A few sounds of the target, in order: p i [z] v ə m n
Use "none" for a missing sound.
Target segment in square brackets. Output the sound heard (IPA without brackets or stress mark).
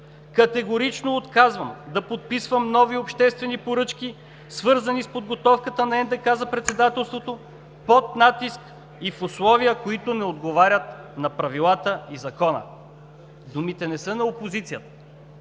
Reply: s